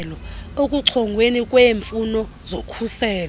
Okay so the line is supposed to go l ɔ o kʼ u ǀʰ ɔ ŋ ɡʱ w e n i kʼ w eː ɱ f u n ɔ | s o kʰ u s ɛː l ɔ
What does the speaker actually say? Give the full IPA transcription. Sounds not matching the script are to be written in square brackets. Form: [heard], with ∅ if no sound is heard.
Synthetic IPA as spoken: l ɔ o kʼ u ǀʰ ɔ ŋ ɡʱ w e n i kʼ w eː ɱ f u n ɔ | [z] o kʰ u s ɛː l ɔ